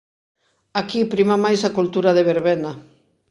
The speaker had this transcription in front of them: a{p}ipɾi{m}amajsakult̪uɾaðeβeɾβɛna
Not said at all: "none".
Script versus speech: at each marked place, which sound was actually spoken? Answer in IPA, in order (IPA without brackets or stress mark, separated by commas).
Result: k, m